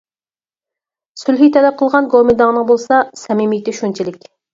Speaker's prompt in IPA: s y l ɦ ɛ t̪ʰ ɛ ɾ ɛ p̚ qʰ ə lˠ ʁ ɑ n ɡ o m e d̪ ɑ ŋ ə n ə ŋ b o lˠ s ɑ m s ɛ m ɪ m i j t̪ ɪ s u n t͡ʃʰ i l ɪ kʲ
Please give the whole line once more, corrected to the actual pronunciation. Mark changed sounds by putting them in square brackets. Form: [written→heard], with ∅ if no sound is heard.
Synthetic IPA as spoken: s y l ɦ [ɛ→i] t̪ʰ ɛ [ɾ→l] ɛ p̚ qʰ ə lˠ ʁ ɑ n ɡ o m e d̪ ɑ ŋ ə n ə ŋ b o lˠ s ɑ [m→∅] s ɛ m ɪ m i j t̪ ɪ [s→ʃ] u n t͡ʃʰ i l ɪ kʲ